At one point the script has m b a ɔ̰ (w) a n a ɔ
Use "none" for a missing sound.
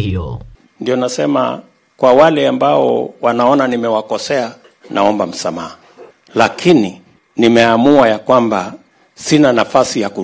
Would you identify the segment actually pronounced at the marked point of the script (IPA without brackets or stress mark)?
w